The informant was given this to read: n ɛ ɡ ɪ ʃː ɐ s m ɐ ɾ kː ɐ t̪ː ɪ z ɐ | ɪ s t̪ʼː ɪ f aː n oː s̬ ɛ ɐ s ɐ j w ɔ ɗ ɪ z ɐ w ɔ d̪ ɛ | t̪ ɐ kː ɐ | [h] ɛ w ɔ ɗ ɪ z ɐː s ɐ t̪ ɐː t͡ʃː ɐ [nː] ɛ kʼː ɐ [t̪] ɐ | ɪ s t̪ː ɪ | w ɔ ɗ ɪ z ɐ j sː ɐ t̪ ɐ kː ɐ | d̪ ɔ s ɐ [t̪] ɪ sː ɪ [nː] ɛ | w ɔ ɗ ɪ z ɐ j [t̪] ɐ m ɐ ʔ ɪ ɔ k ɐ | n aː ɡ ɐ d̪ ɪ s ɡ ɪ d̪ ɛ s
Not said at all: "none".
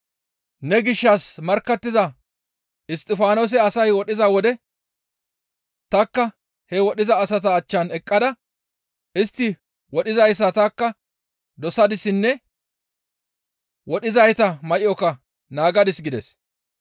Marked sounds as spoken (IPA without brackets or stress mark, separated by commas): h, n, d̪, d̪, nː, t̪